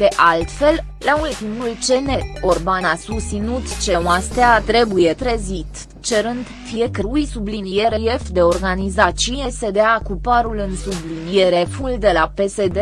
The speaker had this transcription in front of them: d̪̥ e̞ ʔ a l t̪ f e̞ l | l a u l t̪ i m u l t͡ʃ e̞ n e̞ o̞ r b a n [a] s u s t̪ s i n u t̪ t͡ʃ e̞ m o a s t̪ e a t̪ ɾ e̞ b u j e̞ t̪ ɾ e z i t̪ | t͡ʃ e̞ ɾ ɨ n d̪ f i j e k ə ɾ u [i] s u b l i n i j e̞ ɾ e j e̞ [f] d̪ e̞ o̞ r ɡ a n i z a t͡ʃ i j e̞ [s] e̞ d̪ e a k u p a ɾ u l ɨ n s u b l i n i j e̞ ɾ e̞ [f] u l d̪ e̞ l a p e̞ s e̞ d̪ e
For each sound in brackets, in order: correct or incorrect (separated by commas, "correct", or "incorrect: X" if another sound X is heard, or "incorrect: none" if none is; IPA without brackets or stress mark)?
correct, incorrect: j, correct, correct, correct